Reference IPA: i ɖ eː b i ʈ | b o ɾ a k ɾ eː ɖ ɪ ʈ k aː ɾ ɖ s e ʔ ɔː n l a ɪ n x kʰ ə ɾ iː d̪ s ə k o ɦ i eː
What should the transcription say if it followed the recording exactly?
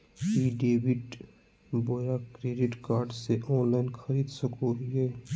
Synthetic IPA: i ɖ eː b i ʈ | b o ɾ a k ɾ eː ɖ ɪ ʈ k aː ɾ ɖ s e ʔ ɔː n l a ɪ n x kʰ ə ɾ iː d̪ s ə k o ɦ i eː